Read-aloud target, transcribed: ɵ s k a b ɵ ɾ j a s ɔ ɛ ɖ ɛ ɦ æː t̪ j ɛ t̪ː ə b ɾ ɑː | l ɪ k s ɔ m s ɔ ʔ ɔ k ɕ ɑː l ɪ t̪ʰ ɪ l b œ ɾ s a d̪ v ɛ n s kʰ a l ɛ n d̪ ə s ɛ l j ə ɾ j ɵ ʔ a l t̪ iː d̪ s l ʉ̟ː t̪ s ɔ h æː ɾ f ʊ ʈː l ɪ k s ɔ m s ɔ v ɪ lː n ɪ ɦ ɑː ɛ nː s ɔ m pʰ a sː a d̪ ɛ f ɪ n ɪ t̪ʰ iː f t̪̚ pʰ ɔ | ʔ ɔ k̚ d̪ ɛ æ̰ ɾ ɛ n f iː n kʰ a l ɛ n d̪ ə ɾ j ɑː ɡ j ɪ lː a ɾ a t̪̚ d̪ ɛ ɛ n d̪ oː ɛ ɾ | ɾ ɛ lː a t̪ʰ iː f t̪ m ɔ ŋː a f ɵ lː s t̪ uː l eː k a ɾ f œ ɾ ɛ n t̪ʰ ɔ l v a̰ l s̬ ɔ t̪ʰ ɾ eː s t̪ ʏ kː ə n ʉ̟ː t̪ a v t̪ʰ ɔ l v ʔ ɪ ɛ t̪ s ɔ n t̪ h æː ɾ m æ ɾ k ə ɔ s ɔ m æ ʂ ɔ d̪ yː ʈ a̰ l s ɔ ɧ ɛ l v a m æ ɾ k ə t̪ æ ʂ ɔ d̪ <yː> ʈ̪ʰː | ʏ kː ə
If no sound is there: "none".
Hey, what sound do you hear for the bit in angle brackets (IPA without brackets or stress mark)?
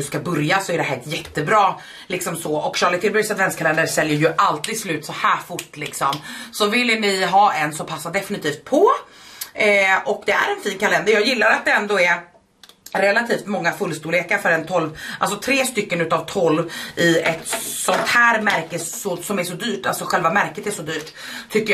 yː